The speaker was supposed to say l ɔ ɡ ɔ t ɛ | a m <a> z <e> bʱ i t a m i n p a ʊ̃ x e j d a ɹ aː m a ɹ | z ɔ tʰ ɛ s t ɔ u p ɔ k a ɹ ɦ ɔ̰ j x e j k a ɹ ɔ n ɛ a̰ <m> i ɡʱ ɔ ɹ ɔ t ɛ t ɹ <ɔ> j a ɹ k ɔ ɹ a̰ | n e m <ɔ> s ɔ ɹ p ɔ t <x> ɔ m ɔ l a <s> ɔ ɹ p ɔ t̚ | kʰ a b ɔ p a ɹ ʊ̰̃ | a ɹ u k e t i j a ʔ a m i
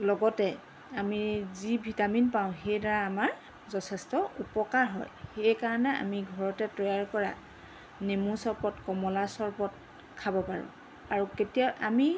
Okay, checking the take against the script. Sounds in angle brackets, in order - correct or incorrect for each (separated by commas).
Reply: incorrect, incorrect, correct, correct, incorrect, incorrect, correct